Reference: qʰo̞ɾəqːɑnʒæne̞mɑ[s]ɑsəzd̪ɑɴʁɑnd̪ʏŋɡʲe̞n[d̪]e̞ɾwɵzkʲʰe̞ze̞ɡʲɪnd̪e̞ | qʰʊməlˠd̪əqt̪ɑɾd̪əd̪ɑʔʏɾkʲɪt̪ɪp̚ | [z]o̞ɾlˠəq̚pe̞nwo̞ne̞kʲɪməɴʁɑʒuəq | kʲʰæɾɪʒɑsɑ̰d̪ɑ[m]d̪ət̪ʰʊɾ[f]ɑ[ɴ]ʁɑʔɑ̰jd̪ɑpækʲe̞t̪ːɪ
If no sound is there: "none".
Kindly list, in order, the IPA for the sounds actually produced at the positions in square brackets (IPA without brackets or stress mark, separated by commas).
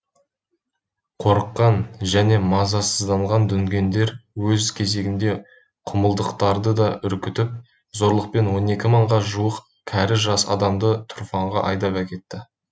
z, d̪, z, m, f, ɴ